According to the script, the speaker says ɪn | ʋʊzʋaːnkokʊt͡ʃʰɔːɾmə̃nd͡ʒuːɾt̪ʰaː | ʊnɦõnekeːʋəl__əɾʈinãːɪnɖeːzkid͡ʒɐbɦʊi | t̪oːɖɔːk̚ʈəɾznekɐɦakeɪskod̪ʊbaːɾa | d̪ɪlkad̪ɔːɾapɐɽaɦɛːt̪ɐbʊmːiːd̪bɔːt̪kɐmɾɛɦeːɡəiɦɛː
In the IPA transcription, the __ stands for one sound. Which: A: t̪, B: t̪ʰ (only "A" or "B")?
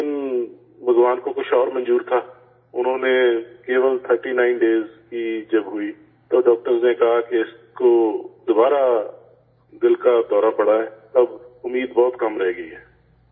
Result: B